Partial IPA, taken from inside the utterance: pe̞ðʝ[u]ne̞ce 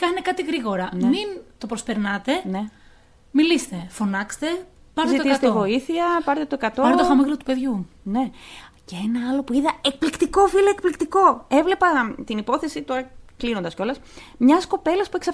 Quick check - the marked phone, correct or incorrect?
correct